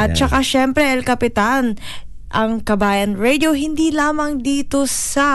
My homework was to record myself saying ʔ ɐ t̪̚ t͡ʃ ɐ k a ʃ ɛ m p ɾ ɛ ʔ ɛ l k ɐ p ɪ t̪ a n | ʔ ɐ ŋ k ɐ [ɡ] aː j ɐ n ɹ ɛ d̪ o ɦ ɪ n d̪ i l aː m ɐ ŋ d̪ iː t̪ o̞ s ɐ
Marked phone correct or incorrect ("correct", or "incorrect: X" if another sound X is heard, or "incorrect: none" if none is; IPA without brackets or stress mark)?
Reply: incorrect: b